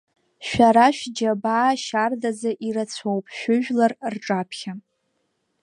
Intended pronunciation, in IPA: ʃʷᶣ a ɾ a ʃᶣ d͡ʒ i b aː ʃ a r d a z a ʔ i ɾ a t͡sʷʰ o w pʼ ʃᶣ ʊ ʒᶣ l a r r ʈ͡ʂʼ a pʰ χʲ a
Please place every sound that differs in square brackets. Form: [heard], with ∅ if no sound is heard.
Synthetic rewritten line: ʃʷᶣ a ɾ a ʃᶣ d͡ʒ [a] b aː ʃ a r d a z a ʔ i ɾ a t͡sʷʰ o w pʼ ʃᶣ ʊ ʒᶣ l a r r ʈ͡ʂʼ a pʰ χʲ a

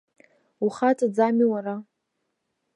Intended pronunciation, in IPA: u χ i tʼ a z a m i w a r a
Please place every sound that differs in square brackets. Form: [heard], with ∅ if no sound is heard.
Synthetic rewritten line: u χ [a] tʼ a [d͡z] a m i w a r a

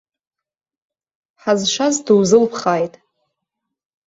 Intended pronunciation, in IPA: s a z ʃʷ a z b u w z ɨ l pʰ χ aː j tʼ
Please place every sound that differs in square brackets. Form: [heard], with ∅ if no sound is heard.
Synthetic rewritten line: [ħ] a z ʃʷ a z [d] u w z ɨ l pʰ χ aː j tʼ

